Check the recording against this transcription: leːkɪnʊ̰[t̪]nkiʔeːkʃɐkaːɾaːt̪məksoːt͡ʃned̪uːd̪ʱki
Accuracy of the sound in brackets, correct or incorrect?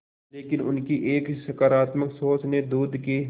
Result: incorrect